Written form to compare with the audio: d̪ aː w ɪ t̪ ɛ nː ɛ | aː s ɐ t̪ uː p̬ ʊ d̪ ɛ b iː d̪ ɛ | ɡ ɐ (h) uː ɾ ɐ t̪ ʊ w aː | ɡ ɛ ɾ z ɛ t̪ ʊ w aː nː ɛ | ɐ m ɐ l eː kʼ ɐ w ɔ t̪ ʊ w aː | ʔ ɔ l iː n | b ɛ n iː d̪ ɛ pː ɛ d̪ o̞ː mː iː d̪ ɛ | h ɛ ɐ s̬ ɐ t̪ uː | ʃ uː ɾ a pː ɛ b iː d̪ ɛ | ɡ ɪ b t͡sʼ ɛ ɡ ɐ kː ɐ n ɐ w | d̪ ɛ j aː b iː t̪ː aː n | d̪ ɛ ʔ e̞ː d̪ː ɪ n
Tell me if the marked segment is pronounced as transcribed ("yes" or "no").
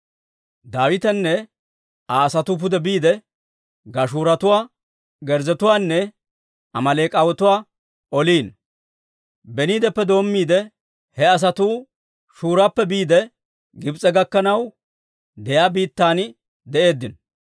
no